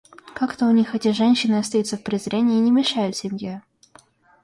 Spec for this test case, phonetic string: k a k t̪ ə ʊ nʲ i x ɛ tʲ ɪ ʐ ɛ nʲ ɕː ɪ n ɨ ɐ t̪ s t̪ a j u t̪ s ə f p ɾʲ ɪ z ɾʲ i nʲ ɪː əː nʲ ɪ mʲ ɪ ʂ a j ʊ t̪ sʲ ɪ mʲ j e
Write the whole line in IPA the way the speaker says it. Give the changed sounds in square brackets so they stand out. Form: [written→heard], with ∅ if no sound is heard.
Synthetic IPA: k a k t̪ ə ʊ nʲ i x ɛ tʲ ɪ ʐ ɛ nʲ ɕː ɪ n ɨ ɐ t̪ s t̪ [a→ɐ] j u t̪ s ə f p ɾʲ ɪ z ɾʲ [i→e] nʲ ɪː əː nʲ ɪ mʲ ɪ ʂ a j ʊ t̪ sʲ ɪ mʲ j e